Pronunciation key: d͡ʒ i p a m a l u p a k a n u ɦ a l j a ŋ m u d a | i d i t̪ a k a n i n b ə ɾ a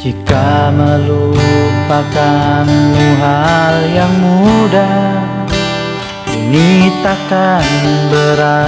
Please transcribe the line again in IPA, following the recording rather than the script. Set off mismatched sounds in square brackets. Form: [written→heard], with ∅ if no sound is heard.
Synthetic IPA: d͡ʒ i [p→k] a m [a→ə] l u p a k a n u ɦ a l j a ŋ m u d a | i [d→n] i t̪ a k a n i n b ə ɾ a